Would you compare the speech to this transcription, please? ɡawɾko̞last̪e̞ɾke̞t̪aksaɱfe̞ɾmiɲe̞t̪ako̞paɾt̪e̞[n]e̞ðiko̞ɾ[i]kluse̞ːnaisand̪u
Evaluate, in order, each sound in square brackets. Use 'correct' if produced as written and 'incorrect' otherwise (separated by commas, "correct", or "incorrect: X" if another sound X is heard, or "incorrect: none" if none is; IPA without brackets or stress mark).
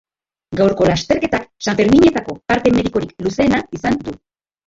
incorrect: m, correct